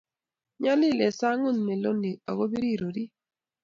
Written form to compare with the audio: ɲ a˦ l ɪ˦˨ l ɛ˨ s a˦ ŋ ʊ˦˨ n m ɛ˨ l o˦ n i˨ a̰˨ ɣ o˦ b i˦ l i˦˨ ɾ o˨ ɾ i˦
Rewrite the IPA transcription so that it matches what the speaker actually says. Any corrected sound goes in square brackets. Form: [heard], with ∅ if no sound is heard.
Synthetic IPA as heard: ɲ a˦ l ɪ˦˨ l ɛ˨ s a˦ ŋ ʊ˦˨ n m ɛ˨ l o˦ n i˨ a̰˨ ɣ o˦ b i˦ [ɾ] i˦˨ ɾ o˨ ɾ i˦